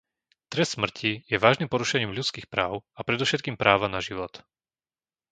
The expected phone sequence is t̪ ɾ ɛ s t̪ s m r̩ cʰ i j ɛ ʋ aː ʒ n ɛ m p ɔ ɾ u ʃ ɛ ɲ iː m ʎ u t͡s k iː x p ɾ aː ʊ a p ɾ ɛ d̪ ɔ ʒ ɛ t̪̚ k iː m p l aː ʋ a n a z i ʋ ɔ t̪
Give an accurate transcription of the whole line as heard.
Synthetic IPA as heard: t̪ ɾ ɛ s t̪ s m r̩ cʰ i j ɛ ʋ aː ʒ n i m p ɔ ɾ u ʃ ɛ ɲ iː m ʎ u t͡s k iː x p ɾ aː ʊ a p ɾ ɛ d̪ ɔ ʃ ɛ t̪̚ k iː m p ɾ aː ʋ a n a ʒ i ʋ ɔ t̪

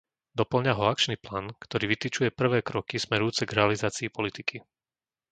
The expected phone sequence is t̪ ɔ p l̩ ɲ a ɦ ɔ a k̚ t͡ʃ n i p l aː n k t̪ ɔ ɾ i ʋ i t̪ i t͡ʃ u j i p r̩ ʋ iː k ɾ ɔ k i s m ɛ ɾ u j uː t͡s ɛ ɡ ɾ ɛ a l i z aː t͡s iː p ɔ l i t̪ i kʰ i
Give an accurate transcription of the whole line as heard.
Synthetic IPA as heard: d̪ ɔ p l̩ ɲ a ɦ ɔ a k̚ t͡ʃ n i p l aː n k t̪ ɔ ɾ iː ʋ i t̪ i t͡ʃ u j ɛ p r̩ ʋ ɛː k ɾ ɔ k i s m ɛ ɾ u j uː t͡s ɛ ɡ ɾ ɛ a l i z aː t͡s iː p ɔ l i t̪ i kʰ i

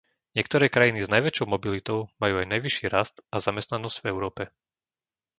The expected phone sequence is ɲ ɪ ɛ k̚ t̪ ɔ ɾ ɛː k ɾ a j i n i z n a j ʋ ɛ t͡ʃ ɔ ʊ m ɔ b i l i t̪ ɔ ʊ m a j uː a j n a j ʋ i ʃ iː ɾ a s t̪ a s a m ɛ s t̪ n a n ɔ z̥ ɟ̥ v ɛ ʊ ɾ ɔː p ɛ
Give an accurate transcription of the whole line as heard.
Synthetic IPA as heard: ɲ ɪ ɛ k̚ t̪ ɔ ɾ ɛː k ɾ a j i n i z n a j ʋ ɛ t͡ʃ ɔ ʊ m ɔ b i l i t̪ ɔ ʊ m a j uː a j n a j ʋ i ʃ iː ɾ a s t̪ a z a m ɛ s t̪ n a n ɔ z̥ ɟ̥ v ɛ ʊ ɾ ɔː p ɛ

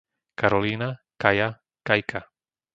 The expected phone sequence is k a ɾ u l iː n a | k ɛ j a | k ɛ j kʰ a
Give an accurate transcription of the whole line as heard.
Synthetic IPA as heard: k a ɾ ɔ l iː n a | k a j a | k a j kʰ a

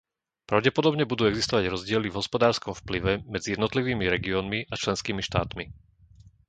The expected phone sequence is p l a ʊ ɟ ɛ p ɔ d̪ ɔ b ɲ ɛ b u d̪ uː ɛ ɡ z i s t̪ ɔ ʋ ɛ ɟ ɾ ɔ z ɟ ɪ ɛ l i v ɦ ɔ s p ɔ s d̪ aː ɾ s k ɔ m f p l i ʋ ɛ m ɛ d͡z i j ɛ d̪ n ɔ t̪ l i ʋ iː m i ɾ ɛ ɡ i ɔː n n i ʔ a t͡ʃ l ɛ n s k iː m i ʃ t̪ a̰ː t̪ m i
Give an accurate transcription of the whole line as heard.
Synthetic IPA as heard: p ɾ a ʊ ɟ ɛ p ɔ d̪ ɔ b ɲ ɛ b u d̪ uː ɛ ɡ z i s t̪ ɔ ʋ a ɟ ɾ ɔ z ɟ ɪ ɛ l i v ɦ ɔ s p ɔ d̪ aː ɾ s k ɔ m f p l i ʋ ɛ m ɛ d͡z i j ɛ d̪ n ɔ t̪ l i ʋ iː m i ɾ ɛ ɡ i ɔː n m i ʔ a t͡ʃ l ɛ n s k iː m i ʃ t̪ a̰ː t̪ m i

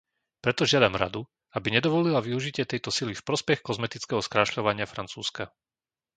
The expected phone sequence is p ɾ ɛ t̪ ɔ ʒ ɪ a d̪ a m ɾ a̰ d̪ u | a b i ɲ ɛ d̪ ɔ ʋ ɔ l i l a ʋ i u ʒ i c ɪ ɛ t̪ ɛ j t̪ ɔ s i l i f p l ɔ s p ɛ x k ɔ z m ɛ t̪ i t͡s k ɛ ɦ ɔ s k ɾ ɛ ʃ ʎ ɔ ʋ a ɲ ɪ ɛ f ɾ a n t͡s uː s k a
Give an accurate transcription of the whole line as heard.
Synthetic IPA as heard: p ɾ ɛ t̪ ɔ ʒ ɪ a d̪ a m ɾ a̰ d̪ u | a b i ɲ ɛ d̪ ɔ ʋ ɔ l i l a ʋ i u ʒ i c ɪ ɛ t̪ ɛ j t̪ ɔ s i l i f p ɾ ɔ s p ɛ x k ɔ z m ɛ t̪ i t͡s k ɛ ɦ ɔ s k ɾ a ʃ ʎ ɔ ʋ a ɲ ɪ a f ɾ a n t͡s uː s k a

